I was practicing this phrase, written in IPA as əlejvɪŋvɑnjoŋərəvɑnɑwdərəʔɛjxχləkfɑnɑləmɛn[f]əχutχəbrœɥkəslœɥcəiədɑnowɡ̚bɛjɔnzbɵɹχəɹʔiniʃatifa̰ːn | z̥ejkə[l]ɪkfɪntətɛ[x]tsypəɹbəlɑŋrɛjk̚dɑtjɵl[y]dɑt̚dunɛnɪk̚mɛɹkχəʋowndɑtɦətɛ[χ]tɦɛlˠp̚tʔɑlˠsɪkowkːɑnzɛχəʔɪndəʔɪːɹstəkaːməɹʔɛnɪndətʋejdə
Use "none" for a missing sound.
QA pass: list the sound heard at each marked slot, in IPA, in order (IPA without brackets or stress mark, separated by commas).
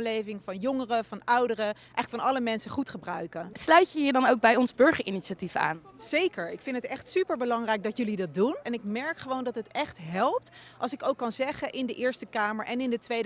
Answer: s, ɹ, χ, i, χ